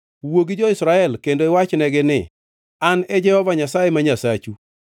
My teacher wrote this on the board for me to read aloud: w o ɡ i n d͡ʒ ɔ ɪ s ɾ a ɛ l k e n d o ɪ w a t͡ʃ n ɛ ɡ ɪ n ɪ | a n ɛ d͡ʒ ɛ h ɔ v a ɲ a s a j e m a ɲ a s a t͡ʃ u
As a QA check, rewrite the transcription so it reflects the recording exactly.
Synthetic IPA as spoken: w o ɡ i d͡ʒ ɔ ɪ s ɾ a ɛ l k e n d o ɪ w a t͡ʃ n ɛ ɡ ɪ n ɪ | a n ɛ d͡ʒ ɛ h ɔ v a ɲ a s a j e m a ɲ a s a t͡ʃ u

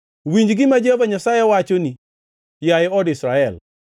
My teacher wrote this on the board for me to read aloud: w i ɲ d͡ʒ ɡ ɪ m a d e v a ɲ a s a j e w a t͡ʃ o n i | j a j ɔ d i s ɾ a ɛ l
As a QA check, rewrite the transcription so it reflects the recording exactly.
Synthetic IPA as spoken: w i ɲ d͡ʒ ɡ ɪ m a d͡ʒ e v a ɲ a s a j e w a t͡ʃ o n i | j a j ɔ d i s ɾ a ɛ l

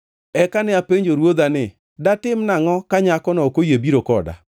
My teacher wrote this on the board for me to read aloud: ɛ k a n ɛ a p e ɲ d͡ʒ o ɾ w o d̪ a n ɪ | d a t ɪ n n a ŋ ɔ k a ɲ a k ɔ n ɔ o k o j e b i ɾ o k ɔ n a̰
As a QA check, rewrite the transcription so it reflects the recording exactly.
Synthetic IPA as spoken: ɛ k a n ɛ a p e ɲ d͡ʒ o ɾ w o d̪ a n ɪ | d a t ɪ m n a ŋ ɔ k a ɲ a k ɔ n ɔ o k o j e b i ɾ o k ɔ d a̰

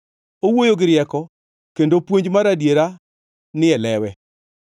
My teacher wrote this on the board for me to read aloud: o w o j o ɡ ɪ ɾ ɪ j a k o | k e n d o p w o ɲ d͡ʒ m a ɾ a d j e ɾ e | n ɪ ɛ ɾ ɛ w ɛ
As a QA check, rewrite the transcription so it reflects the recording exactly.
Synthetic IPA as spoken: o w o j o ɡ ɪ ɾ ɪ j ɛ k ɔ | k e n d o p w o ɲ d͡ʒ m a ɾ a d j e ɾ a | n ɪ ɛ l ɛ w ɛ

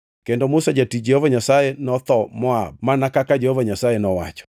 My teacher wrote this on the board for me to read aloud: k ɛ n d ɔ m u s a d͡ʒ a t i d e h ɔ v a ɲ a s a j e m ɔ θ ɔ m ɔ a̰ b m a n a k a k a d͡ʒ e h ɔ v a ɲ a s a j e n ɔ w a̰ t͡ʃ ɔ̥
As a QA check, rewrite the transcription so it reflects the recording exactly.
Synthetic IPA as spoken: k ɛ n d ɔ m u s a d͡ʒ a t i d͡ʒ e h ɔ v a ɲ a s a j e n ɔ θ ɔ m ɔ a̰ b m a n a k a k a d͡ʒ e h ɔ v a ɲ a s a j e n ɔ w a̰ t͡ʃ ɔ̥

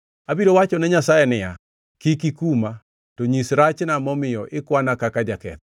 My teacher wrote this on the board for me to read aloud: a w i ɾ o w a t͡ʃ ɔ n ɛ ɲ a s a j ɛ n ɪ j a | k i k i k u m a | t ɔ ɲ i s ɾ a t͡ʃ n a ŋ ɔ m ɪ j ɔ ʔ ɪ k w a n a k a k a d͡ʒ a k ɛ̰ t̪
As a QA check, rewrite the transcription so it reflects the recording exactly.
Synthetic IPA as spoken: a b i ɾ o w a t͡ʃ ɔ n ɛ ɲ a s a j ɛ n ɪ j a | k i k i k u m a | t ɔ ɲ i s ɾ a t͡ʃ n a m ɔ m ɪ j ɔ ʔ ɪ k w a n a k a k a d͡ʒ a k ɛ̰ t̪

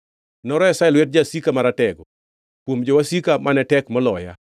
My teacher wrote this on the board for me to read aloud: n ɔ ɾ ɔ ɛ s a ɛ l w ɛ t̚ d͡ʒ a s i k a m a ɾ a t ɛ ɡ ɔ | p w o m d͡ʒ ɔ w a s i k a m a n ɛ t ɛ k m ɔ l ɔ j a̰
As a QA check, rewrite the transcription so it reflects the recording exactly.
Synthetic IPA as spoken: n ɔ ɾ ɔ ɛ s a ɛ l w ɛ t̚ d͡ʒ a s i k a m a ɾ a t ɛ ɡ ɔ | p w o m d͡ʒ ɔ w a s i k a m a n ɛ t ɛ k m ɔ l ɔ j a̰

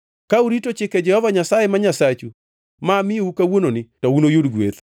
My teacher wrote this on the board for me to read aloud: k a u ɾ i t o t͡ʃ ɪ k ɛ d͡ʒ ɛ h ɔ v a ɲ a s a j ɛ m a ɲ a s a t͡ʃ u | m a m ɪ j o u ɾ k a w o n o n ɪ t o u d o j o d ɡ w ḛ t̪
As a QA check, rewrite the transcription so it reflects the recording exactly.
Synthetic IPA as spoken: k a u ɾ i t o t͡ʃ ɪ k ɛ d͡ʒ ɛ h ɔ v a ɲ a s a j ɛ m a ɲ a s a t͡ʃ u | m a m ɪ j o u k a w o n o n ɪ t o u n o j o d ɡ w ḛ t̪

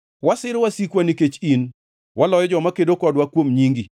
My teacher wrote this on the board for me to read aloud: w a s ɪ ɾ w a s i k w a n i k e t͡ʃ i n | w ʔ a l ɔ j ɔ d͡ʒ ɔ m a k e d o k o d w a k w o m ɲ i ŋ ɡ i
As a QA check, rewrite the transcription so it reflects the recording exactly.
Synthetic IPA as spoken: w a s ɪ ɾ w a s i k w a n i k e t͡ʃ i n | w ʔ a l ɔ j ɔ d͡ʒ ɔ m a k e d o k ɔ d w a k w o m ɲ i ŋ ɡ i

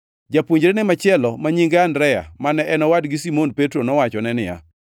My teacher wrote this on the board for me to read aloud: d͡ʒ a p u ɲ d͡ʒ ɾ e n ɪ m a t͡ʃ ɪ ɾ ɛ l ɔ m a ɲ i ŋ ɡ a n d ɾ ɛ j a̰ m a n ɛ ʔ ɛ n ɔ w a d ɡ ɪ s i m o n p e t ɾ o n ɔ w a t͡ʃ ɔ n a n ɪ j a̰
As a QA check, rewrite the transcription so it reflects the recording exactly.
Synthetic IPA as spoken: d͡ʒ a p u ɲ d͡ʒ ɾ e n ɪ m a t͡ʃ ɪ ɛ l ɔ m a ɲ i ŋ ɡ a n d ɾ ɛ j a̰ m a n ɛ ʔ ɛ n ɔ w a d ɡ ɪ s i m o n p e t ɾ o n ɔ w a t͡ʃ ɔ n ɛ n ɪ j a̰

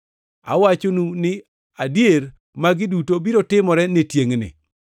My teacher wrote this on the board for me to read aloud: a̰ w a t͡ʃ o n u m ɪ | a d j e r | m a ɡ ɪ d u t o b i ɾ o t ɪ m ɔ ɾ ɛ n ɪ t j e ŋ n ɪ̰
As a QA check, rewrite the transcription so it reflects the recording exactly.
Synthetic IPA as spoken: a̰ w a t͡ʃ o n u n ɪ | a d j e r | m a ɡ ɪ d u t o b i ɾ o t ɪ m ɔ ɾ ɛ n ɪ t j e ŋ n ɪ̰

